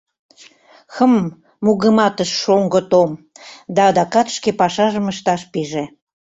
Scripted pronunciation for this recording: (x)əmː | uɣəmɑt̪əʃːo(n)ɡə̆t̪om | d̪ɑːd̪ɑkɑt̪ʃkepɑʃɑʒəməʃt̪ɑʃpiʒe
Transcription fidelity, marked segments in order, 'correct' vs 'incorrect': correct, incorrect

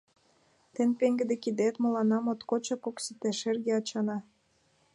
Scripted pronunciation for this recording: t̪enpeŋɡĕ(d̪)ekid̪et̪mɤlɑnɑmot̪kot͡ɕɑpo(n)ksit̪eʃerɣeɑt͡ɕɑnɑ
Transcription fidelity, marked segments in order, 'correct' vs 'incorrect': correct, incorrect

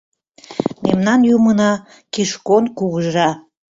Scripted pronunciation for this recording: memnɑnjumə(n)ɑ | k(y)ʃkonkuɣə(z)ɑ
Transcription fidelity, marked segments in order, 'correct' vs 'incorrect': correct, incorrect, incorrect

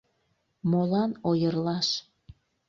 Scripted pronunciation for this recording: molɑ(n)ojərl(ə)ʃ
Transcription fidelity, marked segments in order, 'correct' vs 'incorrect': correct, incorrect

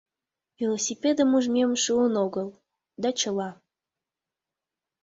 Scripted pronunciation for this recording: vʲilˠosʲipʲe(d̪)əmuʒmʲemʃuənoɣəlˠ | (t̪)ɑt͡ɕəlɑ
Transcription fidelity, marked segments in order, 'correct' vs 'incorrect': correct, incorrect

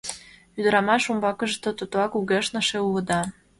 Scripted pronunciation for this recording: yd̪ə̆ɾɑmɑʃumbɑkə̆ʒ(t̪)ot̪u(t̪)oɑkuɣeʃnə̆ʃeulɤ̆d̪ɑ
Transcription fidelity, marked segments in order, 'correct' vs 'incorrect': correct, correct

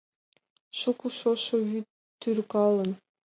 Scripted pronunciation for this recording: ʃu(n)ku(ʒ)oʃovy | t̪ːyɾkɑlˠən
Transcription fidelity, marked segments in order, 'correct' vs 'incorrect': incorrect, incorrect

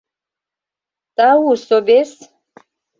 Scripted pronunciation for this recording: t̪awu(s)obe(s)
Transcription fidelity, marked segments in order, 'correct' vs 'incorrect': correct, correct

